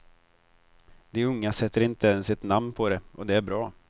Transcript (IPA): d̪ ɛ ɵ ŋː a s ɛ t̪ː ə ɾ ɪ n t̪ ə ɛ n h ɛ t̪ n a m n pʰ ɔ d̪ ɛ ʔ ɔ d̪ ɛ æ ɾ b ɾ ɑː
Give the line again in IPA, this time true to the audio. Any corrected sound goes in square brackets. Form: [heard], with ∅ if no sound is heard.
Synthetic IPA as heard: d̪ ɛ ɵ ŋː a s ɛ t̪ː ə ɾ ɪ n t̪ ə ɛ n [s] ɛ t̪ n a m n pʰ ɔ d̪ ɛ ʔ ɔ d̪ ɛ æ ɾ b ɾ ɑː